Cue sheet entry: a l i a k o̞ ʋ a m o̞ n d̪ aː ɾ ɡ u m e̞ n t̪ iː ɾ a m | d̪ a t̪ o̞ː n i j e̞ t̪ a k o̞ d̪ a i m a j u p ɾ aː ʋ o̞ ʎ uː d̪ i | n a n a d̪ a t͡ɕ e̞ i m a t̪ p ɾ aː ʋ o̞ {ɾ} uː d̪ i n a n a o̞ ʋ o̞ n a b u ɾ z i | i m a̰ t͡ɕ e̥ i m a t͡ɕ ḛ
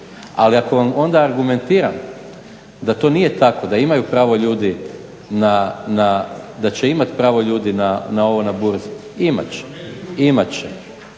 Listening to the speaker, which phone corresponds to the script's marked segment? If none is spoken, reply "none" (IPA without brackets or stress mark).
ʎ